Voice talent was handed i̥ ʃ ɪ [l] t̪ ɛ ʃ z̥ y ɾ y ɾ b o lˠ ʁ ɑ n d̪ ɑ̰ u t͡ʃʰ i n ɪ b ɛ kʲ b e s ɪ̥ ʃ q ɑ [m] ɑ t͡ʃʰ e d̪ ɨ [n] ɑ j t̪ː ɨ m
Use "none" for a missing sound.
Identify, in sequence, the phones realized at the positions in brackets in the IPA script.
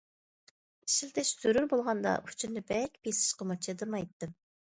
l, m, m

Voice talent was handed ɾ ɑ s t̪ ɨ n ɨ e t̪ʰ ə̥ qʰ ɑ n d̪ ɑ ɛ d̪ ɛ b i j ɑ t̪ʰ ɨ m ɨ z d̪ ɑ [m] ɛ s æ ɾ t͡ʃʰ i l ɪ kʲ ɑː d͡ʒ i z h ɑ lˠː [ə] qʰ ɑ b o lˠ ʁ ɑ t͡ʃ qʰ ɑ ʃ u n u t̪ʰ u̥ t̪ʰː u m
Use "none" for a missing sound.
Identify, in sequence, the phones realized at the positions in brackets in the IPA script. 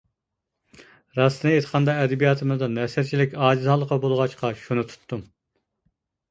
n, ə

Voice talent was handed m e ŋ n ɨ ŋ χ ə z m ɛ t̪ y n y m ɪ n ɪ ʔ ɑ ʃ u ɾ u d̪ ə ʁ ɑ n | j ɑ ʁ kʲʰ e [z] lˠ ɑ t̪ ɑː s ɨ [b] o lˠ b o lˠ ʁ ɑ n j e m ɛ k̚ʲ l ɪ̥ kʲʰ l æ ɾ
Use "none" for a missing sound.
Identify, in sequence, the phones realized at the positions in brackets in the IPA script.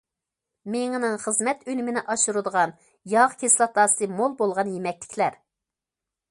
s, m

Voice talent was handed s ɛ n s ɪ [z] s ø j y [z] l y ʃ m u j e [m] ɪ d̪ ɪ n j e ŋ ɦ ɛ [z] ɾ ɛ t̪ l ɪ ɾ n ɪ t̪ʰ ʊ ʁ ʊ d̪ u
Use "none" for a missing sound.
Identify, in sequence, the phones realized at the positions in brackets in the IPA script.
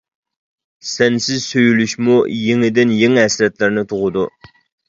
z, none, ŋ, s

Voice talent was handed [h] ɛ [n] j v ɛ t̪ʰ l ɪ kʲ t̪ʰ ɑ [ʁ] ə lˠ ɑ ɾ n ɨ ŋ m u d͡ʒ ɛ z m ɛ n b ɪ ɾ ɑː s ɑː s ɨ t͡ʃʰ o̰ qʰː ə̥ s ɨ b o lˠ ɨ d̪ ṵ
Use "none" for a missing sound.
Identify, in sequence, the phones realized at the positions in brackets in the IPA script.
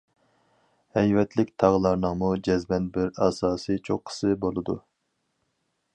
h, none, ʁ

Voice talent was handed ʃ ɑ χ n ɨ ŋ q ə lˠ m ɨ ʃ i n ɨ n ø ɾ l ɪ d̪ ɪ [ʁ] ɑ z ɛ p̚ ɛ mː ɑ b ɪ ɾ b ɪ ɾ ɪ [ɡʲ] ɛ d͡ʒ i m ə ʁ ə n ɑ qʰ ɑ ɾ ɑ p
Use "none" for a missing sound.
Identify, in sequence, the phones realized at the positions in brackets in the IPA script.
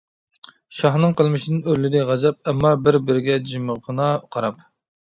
ʁ, ɡʲ

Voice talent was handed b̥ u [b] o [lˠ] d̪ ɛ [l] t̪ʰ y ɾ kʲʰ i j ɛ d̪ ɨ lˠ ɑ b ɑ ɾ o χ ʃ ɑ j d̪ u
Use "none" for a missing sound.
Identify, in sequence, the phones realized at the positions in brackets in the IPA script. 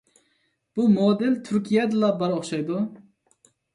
m, none, l

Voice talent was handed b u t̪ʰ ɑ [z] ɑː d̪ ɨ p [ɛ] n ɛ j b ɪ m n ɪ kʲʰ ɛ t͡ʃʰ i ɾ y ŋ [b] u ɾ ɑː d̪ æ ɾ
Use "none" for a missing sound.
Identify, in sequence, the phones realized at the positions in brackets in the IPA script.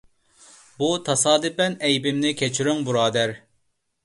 s, ɛ, b

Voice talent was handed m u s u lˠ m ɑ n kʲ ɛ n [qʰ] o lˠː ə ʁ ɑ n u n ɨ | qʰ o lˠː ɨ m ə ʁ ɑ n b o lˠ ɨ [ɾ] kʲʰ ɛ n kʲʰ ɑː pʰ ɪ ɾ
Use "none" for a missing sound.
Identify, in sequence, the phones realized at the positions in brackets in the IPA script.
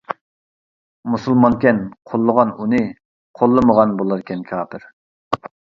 qʰ, ɾ

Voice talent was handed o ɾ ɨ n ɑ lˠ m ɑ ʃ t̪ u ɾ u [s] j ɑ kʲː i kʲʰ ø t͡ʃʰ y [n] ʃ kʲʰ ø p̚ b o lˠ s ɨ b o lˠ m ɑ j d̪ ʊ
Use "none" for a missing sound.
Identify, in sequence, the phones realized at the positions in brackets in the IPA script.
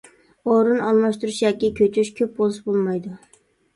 ʃ, none

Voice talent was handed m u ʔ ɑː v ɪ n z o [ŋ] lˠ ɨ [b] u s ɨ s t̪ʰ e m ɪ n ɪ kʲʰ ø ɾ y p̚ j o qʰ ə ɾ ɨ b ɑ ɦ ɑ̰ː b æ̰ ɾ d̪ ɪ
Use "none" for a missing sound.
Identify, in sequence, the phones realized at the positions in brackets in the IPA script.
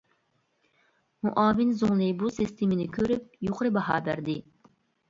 ŋ, b

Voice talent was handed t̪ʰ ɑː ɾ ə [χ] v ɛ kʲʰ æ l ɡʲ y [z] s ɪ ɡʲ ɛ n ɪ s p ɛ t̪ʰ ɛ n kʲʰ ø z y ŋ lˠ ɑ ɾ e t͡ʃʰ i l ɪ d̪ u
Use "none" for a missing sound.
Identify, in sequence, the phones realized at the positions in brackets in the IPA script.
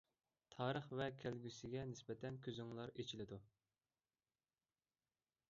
χ, none

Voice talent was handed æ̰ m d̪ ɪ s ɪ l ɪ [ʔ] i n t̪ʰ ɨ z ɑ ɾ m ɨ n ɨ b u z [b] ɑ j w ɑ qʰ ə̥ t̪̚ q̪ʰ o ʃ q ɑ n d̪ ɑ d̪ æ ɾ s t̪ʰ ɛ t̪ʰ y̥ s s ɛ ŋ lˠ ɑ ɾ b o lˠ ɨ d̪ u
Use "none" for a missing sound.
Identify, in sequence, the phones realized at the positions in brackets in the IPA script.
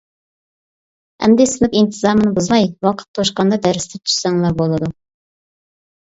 p, m

